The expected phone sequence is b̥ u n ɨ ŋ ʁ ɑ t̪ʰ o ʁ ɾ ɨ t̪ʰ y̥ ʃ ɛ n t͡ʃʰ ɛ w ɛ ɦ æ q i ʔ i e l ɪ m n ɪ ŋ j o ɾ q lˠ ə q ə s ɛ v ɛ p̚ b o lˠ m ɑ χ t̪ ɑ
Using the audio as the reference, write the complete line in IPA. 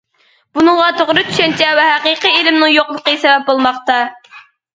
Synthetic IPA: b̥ u n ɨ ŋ ʁ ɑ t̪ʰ o ʁ ɾ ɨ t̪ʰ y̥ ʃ ɛ n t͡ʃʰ ɛ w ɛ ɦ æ q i q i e l ɪ m n ɪ ŋ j o q lˠ ə q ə s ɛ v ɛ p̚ b o lˠ m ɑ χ t̪ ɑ